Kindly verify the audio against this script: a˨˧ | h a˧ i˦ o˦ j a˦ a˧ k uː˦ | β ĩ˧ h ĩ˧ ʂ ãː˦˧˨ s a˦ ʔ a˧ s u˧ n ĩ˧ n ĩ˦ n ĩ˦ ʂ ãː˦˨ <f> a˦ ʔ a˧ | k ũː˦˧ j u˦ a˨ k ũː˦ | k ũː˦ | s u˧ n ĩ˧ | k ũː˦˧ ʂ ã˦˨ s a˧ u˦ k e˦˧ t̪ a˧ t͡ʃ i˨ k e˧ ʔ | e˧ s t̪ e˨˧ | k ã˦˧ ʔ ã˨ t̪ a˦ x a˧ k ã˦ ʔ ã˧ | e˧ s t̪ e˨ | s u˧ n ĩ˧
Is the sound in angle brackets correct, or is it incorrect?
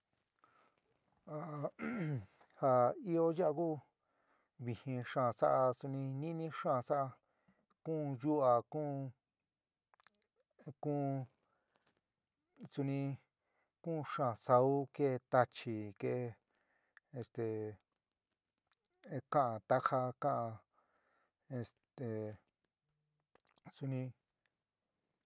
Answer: incorrect